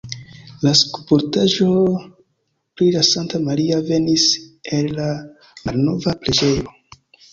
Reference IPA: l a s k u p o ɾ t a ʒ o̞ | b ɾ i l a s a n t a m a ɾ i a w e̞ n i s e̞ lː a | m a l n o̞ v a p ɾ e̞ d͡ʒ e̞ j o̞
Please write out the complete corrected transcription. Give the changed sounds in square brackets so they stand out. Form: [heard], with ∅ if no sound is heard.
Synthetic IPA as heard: l a s k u p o ɾ t a ʒ o̞ | [p] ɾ i l a s a n t a m a ɾ i a [v] e̞ n i s e̞ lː a | m a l n o̞ v a p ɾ e̞ d͡ʒ e̞ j o̞